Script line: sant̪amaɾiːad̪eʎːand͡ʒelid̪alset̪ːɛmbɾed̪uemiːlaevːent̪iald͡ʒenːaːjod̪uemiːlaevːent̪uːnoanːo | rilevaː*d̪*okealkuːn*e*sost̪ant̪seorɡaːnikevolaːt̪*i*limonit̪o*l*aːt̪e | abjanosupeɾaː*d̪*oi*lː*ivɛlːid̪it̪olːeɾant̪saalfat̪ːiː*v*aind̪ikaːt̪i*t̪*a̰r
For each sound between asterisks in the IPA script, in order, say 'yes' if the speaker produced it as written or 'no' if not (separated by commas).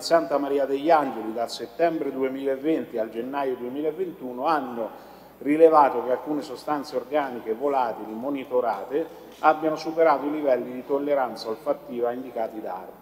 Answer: no, yes, yes, no, no, no, yes, no